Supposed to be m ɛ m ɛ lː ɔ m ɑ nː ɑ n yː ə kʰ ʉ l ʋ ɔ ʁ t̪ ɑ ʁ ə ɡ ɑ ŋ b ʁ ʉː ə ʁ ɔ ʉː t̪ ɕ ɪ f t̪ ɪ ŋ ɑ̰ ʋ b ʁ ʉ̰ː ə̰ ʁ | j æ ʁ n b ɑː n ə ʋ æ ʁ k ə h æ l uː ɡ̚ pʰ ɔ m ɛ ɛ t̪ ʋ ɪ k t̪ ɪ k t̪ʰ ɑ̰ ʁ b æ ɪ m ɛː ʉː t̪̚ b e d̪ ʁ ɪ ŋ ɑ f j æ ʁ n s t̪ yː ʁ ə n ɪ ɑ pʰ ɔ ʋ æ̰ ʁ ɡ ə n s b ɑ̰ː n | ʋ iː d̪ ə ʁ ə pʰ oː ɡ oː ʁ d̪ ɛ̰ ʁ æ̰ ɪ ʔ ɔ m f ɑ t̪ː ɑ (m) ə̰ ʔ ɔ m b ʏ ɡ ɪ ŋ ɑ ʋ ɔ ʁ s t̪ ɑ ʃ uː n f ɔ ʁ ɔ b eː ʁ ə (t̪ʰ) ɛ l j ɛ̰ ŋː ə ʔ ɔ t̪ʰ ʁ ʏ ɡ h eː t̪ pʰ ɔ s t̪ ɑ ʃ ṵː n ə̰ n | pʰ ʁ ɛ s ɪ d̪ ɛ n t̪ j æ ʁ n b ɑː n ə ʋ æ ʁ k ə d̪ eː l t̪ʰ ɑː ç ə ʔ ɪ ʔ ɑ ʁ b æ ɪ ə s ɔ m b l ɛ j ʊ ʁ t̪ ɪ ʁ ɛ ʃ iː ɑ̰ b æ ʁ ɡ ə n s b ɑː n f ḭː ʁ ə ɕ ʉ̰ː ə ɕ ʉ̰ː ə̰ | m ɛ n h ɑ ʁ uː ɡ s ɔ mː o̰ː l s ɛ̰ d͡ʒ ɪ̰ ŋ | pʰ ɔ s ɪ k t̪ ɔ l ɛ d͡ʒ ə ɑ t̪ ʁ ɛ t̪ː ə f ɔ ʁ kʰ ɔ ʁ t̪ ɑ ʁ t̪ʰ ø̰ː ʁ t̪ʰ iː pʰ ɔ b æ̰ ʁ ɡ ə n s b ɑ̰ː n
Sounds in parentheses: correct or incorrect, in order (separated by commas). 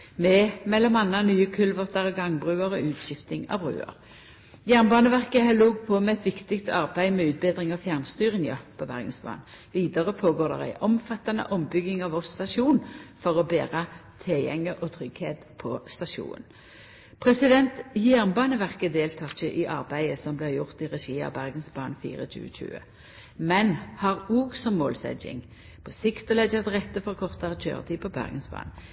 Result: incorrect, correct